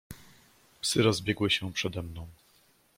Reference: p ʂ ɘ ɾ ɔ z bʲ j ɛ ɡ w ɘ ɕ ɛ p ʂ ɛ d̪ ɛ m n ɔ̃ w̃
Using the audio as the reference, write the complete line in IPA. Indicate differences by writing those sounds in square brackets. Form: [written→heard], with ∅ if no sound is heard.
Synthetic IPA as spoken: p [ʂ→s] ɘ ɾ ɔ z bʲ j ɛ ɡ w ɘ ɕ ɛ p ʂ ɛ d̪ ɛ m n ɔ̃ w̃